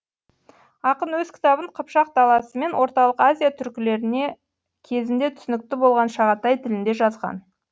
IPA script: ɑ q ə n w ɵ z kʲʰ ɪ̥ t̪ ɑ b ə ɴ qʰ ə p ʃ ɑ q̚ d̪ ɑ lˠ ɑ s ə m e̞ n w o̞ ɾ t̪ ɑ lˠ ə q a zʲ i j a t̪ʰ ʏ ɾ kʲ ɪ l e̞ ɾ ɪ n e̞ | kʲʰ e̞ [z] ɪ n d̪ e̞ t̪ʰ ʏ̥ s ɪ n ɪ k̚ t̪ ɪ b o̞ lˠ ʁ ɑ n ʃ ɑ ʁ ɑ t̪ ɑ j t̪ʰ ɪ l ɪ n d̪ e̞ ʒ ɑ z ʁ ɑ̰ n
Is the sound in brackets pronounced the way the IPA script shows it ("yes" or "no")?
yes